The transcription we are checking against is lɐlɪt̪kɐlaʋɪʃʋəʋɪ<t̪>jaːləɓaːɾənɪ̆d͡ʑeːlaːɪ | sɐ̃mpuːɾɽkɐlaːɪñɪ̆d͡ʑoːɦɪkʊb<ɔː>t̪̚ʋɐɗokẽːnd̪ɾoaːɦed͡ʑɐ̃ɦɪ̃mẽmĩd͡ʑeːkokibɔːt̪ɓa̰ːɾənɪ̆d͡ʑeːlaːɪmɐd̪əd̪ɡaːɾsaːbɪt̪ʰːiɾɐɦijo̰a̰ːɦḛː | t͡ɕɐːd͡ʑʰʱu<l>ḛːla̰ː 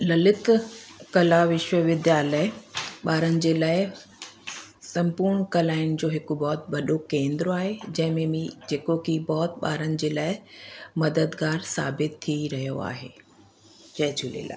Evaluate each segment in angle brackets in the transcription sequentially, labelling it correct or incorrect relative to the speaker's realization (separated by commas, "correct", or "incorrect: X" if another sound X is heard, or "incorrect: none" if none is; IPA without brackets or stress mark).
incorrect: d̪, correct, correct